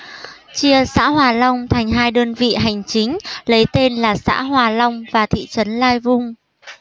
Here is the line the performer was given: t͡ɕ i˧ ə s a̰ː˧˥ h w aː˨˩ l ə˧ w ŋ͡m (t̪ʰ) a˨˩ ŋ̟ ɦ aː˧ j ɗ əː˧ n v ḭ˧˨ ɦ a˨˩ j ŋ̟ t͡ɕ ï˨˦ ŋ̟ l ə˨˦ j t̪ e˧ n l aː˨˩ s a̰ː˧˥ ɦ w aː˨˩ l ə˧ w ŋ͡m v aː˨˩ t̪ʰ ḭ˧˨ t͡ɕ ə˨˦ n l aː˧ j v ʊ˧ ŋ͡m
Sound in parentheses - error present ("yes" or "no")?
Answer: no